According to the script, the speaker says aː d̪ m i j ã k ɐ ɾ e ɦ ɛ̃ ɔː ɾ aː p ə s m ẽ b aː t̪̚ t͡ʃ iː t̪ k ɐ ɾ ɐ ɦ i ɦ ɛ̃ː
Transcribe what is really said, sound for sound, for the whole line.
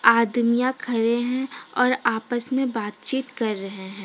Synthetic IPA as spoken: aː d̪ m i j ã kʰ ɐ ɾ e ɦ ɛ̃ ɔː ɾ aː p ə s m ẽ b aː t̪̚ t͡ʃ iː t̪ k ɐ ɾː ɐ ɦ e ɦ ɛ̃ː